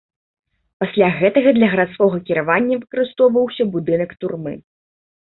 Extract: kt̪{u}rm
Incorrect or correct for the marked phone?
correct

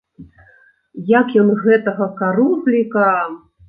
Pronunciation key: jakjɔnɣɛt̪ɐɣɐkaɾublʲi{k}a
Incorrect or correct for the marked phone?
correct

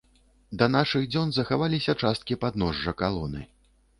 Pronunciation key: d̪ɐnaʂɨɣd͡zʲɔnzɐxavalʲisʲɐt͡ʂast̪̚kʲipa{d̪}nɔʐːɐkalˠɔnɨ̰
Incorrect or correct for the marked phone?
correct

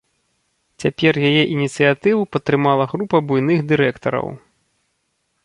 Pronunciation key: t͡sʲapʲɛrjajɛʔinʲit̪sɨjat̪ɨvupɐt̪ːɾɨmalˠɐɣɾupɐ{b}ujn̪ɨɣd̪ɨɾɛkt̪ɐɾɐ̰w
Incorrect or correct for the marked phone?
correct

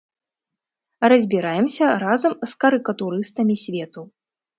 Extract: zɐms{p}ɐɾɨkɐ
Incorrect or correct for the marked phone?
incorrect: k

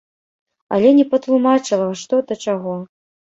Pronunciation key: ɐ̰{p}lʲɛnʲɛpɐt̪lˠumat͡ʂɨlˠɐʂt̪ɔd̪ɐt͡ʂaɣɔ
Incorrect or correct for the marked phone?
incorrect: none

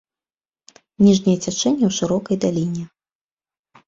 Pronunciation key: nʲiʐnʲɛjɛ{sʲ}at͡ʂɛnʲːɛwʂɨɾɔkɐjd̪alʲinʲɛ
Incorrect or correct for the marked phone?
incorrect: t͡sʲ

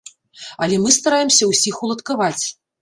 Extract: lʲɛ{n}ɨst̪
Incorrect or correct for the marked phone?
incorrect: m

